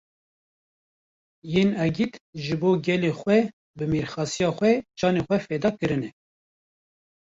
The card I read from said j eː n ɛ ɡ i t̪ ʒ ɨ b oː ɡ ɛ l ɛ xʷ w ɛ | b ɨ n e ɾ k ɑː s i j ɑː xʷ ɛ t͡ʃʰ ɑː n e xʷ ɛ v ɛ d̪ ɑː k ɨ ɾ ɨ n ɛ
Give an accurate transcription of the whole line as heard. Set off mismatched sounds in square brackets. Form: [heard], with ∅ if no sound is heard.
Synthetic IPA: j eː n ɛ ɡ i t̪ ʒ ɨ b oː ɡ ɛ l [e] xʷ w ɛ | b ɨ [m] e ɾ [x] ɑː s i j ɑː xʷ ɛ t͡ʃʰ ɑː n e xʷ ɛ [f] ɛ d̪ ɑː k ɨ ɾ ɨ n ɛ